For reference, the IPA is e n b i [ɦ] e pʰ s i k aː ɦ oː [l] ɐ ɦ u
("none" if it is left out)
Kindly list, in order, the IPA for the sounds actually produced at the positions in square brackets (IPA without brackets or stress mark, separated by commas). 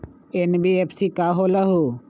none, l